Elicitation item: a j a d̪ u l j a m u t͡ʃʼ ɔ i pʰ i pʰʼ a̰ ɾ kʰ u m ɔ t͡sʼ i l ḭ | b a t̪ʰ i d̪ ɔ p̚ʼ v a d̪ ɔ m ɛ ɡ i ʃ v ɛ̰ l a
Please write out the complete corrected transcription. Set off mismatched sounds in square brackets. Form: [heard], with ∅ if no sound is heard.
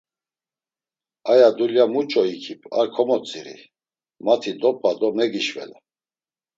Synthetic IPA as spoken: a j a d̪ u l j a m u t͡ʃʼ ɔ i [kʰ] i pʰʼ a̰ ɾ kʰ [ɔ] m ɔ t͡sʼ i [ɾ] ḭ | [m] a t̪ʰ i d̪ ɔ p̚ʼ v a d̪ ɔ m ɛ ɡ i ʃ v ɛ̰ l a